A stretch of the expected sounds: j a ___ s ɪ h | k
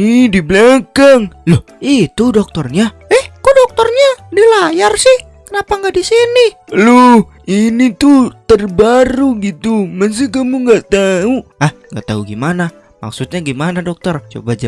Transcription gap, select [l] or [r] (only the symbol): r